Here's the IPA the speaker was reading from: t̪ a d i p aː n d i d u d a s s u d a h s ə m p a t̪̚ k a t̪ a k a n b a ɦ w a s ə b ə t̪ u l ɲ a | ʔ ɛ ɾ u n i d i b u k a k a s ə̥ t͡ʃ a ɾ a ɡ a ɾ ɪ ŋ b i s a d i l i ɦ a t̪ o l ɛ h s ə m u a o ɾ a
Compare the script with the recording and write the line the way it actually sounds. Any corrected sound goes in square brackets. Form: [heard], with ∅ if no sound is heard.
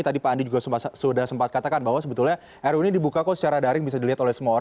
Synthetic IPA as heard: t̪ a d i p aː n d i [d͡ʒ] u [ɡ] a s s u d a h s ə m p a t̪̚ k a t̪ a k a n b a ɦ w a s ə b ə t̪ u l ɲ a | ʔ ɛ ɾ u n i d i b u k a k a s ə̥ t͡ʃ a ɾ a [d] a ɾ ɪ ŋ b i s a d i l i ɦ a t̪ o l ɛ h s ə m u a o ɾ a